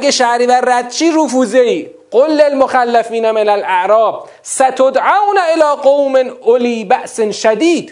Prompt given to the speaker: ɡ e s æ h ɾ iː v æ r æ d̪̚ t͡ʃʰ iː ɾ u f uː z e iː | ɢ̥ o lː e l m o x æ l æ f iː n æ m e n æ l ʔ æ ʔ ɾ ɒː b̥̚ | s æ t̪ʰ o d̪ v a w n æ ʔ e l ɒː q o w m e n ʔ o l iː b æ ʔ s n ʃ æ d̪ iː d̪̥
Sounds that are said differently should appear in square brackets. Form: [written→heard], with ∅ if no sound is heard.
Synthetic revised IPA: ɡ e [s→ʃ] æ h ɾ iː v æ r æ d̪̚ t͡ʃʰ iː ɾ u f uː z e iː | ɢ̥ o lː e l m o x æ [l→lː] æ f iː n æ m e n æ l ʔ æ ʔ ɾ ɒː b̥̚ | s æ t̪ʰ o d̪ [v→ʕ] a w n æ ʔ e l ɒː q o w m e n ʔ o l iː b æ ʔ s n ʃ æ d̪ iː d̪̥